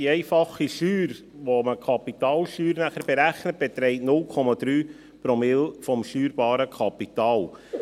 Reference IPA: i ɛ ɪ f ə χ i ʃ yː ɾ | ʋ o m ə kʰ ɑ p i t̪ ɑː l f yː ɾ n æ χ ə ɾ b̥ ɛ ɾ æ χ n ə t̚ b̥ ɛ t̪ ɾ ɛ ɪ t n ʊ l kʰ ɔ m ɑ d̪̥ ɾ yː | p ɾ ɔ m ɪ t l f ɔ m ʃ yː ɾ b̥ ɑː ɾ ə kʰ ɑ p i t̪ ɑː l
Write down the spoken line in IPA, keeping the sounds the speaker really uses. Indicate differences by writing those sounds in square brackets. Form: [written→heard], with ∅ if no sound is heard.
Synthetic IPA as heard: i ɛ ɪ f [ə→ɑ] χ i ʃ yː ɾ | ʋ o m ə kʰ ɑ p i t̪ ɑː l [f→ʃ] yː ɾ n æ χ ə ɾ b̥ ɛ ɾ æ χ n ə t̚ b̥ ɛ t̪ ɾ ɛ ɪ t n ʊ l kʰ ɔ m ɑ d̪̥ ɾ yː | p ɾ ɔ m ɪ [t→∅] l f ɔ m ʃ yː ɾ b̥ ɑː ɾ ə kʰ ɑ p i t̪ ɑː l